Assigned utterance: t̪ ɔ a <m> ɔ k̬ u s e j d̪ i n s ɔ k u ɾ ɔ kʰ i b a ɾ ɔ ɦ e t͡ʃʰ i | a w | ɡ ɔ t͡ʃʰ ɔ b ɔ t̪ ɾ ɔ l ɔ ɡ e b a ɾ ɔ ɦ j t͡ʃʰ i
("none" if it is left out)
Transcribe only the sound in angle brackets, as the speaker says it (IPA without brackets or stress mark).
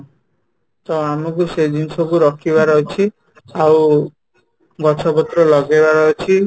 m